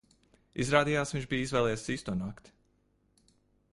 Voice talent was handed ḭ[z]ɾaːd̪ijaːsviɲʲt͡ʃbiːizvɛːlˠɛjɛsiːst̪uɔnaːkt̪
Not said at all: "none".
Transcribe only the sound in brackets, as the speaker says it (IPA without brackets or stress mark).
z